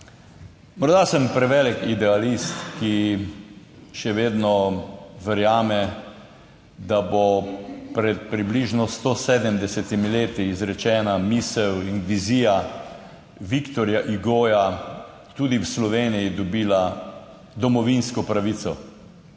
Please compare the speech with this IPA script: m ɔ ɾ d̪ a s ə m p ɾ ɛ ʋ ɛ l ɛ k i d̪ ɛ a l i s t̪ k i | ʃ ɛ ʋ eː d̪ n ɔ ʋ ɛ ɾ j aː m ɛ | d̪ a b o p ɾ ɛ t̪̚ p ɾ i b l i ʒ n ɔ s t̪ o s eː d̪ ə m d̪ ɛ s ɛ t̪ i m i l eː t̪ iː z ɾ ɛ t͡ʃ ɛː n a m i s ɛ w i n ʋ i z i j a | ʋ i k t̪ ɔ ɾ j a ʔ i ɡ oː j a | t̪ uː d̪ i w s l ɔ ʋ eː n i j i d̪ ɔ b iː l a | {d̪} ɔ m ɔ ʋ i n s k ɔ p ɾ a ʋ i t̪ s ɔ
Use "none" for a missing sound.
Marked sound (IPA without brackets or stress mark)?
d̪